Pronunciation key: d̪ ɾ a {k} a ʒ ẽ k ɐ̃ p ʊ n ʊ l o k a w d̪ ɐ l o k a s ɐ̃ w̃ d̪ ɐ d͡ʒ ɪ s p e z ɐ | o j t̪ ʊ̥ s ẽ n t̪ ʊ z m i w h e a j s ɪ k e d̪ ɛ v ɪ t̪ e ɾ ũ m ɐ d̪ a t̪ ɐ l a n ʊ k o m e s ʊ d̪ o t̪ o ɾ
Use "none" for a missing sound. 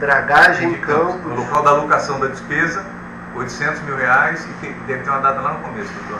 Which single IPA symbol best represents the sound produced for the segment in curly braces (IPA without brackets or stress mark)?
ɡ